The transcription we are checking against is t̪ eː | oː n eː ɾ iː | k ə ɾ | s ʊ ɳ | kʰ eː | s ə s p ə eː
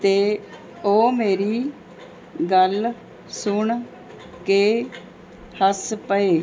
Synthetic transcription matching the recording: t̪ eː | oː m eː ɾ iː | ɡ ə l | s ʊ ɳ | k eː | h ə s p ə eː

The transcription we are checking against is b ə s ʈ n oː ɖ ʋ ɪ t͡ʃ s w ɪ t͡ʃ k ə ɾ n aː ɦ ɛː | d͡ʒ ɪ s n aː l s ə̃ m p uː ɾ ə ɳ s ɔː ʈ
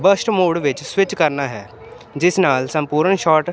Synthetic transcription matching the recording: b ə s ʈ m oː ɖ ʋ ɪ t͡ʃ s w ɪ t͡ʃ k ə ɾ n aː ɦ ɛː | d͡ʒ ɪ s n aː l s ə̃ m p uː ɾ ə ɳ ʃ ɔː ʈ

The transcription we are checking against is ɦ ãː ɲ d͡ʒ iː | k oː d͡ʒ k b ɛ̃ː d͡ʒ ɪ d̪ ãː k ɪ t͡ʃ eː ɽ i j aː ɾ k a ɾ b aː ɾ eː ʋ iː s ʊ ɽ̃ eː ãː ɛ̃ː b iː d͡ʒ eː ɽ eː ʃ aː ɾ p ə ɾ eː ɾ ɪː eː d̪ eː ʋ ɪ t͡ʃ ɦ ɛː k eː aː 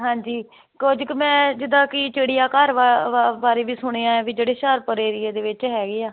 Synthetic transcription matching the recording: ɦ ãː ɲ d͡ʒ iː | k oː d͡ʒ k m ɛ̃ː d͡ʒ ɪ d̪ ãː k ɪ t͡ʃ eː ɽ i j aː k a ɾ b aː ɾ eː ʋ iː s ʊ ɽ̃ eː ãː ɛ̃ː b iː d͡ʒ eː ɽ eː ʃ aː ɾ p ə ɾ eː ɾ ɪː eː d̪ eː ʋ ɪ t͡ʃ ɦ ɛː ɡ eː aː

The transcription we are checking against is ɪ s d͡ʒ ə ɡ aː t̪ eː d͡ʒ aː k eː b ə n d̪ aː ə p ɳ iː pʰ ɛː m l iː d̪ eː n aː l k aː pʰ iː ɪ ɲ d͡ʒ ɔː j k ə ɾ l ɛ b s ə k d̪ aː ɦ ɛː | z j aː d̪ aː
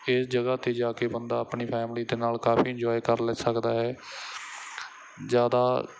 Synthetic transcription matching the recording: ɪ s d͡ʒ ə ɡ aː t̪ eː d͡ʒ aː k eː b ə n d̪ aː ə p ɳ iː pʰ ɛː m l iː d̪ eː n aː l k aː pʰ iː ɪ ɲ d͡ʒ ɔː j k ə ɾ l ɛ s ə k d̪ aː ɦ ɛː | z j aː d̪ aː

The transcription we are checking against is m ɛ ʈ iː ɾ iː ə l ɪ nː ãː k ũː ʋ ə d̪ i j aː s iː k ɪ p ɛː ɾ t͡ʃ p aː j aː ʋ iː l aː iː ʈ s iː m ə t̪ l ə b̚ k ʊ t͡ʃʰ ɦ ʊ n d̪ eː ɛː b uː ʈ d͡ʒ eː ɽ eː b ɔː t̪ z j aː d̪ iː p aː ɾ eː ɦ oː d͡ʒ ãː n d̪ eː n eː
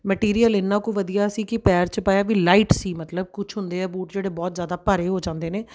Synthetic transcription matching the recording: m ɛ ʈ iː ɾ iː ə l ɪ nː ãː k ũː ʋ ə d̪ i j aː s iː k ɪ p ɛː ɾ t͡ʃ p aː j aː ʋ iː l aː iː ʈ s iː m ə t̪ l ə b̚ k ʊ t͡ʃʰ ɦ ʊ n d̪ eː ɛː b uː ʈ d͡ʒ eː ɽ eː b ɔː t̪ z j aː d̪ aː p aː ɾ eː ɦ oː d͡ʒ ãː n d̪ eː n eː

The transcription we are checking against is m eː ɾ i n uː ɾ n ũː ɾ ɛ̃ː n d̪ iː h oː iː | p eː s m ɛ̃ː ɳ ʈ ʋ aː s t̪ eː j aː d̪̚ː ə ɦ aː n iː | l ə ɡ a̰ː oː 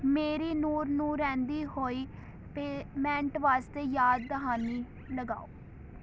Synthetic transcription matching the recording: m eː ɾ iː n uː ɾ n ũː ɾ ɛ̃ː n d̪ iː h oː iː | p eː m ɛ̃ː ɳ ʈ ʋ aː s t̪ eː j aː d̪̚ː ə ɦ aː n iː | l ə ɡ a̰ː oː

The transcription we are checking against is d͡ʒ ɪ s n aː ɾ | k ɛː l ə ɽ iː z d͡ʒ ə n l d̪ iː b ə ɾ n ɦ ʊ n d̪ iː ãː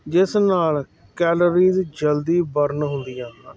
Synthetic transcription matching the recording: d͡ʒ ɪ s n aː l | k ɛː l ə ɾ iː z d͡ʒ ə l d̪ iː b ə ɾ n ɦ ʊ n d̪ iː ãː

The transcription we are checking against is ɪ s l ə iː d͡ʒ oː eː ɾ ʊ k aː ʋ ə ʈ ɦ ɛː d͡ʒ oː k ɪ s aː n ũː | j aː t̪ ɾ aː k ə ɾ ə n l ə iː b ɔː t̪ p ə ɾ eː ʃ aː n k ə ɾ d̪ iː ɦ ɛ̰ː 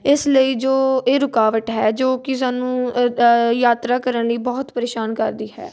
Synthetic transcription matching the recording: ɪ s l ə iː d͡ʒ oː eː ɾ ʊ k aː ʋ ə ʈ ɦ ɛː d͡ʒ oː k ɪ s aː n ũː | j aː t̪ ɾ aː k ə ɾ ə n l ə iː b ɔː t̪ p ə ɾ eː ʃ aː n k ə ɾ d̪ iː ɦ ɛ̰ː

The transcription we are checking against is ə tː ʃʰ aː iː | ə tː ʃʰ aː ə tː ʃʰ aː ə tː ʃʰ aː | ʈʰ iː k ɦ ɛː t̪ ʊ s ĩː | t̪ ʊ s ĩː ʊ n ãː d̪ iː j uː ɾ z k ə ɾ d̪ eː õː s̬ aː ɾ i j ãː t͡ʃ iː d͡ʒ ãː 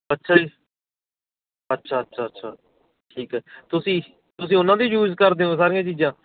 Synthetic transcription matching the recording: ə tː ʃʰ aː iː | ə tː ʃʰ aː ə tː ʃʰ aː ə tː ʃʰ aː | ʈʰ iː k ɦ ɛː t̪ ʊ s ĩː | t̪ ʊ s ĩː ʊ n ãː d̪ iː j uː z k ə ɾ d̪ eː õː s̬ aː ɾ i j ãː t͡ʃ iː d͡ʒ ãː

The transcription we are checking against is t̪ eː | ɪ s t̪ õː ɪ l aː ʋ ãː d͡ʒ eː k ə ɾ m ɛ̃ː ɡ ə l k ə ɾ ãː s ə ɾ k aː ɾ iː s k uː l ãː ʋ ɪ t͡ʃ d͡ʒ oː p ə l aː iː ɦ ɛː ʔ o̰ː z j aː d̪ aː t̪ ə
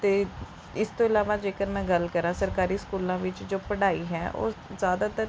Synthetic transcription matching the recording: t̪ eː | ɪ s t̪ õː ɪ l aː ʋ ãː d͡ʒ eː k ə ɾ m ɛ̃ː ɡ ə l k ə ɾ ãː s ə ɾ k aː ɾ iː s k uː l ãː ʋ ɪ t͡ʃ d͡ʒ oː p ə ɽ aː iː ɦ ɛː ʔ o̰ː z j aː d̪ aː t̪ ə

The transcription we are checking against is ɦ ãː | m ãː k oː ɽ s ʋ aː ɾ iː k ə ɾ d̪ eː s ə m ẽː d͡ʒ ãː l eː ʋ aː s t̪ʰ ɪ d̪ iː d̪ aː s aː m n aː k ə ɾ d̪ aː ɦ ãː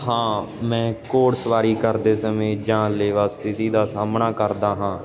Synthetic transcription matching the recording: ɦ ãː | m ɛ̃ː k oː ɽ s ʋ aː ɾ iː k ə ɾ d̪ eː s ə m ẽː d͡ʒ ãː l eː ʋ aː s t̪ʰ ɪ t̪ iː d̪ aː s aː m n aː k ə ɾ d̪ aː ɦ ãː

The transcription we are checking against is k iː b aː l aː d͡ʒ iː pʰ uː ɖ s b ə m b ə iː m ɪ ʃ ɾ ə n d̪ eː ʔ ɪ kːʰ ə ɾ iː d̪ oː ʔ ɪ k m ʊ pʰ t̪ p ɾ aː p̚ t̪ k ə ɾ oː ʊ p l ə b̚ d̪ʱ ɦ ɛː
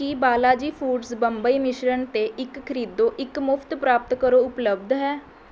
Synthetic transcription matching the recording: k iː b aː l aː d͡ʒ iː pʰ uː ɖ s b ə m b ə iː m ɪ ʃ ɾ ə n t̪ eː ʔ ɪ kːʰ ə ɾ iː d̪ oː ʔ ɪ k m ʊ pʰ t̪ p ɾ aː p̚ t̪ k ə ɾ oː ʊ p l ə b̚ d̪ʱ ɦ ɛː

